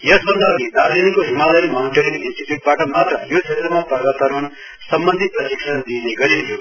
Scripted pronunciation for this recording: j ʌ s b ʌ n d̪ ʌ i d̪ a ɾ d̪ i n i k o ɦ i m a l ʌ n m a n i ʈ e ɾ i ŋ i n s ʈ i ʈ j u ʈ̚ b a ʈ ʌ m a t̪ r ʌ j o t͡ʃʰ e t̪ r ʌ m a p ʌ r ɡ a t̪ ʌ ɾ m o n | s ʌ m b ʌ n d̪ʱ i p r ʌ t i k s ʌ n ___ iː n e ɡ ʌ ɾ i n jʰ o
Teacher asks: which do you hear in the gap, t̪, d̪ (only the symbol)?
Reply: d̪